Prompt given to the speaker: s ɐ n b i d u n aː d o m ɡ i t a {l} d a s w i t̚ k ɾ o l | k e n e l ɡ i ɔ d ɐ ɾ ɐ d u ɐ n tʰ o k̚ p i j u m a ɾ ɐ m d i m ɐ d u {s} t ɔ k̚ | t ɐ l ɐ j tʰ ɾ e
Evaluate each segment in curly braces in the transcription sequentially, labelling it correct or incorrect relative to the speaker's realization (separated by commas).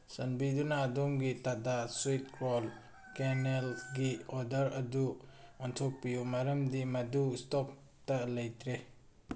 incorrect, correct